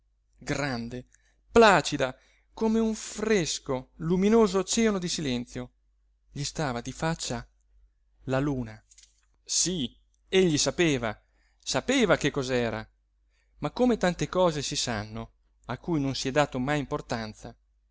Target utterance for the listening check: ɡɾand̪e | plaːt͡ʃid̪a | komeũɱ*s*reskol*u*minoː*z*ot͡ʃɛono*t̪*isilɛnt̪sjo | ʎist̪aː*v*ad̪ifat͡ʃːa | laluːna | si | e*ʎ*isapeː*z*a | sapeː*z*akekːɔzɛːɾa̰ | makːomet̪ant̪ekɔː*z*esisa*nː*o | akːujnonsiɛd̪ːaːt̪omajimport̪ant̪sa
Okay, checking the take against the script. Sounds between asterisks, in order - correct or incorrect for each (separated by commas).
incorrect, correct, correct, incorrect, correct, incorrect, incorrect, incorrect, correct, correct